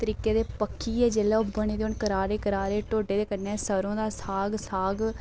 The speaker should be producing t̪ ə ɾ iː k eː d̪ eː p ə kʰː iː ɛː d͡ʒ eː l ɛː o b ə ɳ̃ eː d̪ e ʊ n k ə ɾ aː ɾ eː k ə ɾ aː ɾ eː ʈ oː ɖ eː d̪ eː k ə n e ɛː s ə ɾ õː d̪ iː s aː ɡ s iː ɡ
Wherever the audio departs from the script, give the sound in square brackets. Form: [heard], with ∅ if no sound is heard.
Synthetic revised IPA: t̪ ə ɾ iː k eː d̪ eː p ə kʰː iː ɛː d͡ʒ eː l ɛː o b ə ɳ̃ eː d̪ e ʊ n k ə ɾ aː ɾ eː k ə ɾ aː ɾ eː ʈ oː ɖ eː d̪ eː k ə n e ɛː s ə ɾ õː d̪ [aː] s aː ɡ s [aː] ɡ